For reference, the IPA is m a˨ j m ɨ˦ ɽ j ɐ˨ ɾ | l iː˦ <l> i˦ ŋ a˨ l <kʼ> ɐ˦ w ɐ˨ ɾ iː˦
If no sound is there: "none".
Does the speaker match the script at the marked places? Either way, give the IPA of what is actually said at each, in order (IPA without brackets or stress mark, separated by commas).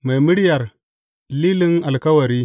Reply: l, k